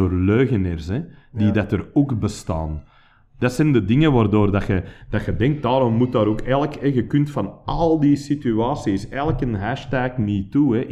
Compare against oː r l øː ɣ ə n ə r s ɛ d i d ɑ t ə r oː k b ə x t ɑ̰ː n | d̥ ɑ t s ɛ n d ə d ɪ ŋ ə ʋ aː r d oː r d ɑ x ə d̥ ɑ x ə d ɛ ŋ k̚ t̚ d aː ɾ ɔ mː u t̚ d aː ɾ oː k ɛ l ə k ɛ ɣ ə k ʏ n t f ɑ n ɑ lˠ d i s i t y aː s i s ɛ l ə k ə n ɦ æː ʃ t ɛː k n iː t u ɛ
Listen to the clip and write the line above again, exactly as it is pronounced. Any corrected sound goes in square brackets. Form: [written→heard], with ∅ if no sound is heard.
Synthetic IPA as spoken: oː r l øː ɣ ə n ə r s ɛ d i d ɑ t ə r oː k b ə [x→s] t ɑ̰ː n | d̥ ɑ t s ɛ n d ə d ɪ ŋ ə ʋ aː r d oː r d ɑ x ə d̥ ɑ x ə d ɛ ŋ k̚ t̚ d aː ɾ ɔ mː u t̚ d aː ɾ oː k ɛ l ə k ɛ ɣ ə k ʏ n t f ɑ n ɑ lˠ d i s i t y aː s i s ɛ l ə k ə n ɦ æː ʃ t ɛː k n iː t u ɛ